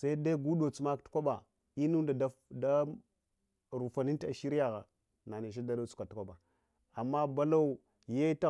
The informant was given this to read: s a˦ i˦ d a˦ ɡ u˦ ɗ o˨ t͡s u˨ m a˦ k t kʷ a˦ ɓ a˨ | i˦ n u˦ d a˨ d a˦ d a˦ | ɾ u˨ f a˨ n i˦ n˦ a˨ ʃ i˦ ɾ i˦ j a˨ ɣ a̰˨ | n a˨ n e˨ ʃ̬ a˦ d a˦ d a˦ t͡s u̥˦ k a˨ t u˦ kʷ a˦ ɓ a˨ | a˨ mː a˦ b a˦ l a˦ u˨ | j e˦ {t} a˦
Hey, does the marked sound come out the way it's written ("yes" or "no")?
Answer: yes